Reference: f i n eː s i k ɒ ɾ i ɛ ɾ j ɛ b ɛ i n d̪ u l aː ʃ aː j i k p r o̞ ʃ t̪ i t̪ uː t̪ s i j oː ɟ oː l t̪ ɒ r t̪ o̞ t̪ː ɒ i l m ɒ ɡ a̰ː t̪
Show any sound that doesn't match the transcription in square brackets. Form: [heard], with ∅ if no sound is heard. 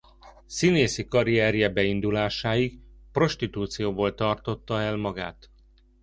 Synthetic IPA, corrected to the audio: [s] i n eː s i k ɒ ɾ i ɛ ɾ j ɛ b ɛ i n d̪ u l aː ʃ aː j i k p r o̞ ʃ t̪ i t̪ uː t̪ s i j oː [b] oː l t̪ ɒ r t̪ o̞ t̪ː ɒ [ɛ] l m ɒ ɡ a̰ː t̪